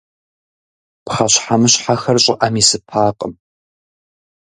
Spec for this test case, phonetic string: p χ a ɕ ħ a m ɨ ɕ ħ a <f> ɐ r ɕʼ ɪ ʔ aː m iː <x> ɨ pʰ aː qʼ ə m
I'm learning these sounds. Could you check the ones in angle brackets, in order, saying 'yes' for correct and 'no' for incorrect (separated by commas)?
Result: no, no